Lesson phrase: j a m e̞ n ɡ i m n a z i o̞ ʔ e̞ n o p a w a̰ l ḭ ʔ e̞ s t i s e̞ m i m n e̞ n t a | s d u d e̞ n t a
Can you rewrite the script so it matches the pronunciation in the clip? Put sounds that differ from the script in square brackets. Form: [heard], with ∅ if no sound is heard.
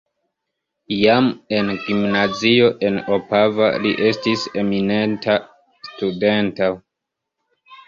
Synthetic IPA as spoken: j a m e̞ n ɡ i m n a z i o̞ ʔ e̞ n o p a [v] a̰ l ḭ ʔ e̞ s t i s e̞ m i [∅] n e̞ n t a | s [t] u d e̞ n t a